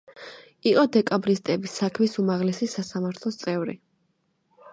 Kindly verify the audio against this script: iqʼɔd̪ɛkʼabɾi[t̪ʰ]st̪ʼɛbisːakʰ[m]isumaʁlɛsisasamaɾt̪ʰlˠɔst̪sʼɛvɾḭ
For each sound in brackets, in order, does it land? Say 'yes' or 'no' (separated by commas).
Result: no, yes